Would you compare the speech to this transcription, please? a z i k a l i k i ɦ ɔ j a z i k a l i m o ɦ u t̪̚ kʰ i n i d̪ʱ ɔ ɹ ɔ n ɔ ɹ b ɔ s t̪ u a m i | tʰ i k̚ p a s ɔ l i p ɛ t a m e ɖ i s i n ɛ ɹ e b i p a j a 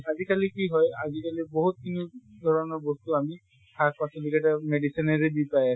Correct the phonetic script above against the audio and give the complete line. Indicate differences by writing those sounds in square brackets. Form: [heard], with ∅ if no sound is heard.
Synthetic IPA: a z i k a l i k i ɦ ɔ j a z i k a l i [b] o ɦ u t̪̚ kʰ i n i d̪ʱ ɔ ɹ ɔ n ɔ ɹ b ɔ s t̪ u a m i | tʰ [a] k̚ p a s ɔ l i [k] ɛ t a m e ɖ i s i n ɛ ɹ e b i p a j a